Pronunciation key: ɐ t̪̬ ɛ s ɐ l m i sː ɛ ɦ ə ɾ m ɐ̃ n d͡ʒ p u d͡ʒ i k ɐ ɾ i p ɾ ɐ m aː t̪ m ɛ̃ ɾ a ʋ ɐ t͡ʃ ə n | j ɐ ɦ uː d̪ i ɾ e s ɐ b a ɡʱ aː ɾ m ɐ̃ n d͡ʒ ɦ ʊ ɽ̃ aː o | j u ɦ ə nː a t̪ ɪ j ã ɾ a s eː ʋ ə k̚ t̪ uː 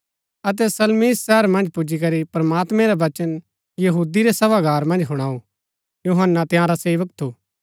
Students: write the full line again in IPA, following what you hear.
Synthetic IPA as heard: ɐ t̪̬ ɛ s ɐ l m i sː ɛ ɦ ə ɾ m ɐ̃ n d͡ʒ p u d͡ʒ i k ɐ ɾ i p ɾ ɐ m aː t̪ m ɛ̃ ɾ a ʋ ɐ t͡ʃ ə n | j ɐ ɦ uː d̪ i ɾ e s ɐ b a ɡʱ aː ɾ m ɐ̃ n d͡ʒ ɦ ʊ ɽ̃ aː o | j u ɦ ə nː a t̪ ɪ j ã ɾ a s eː ʋ ə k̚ t̪ʰ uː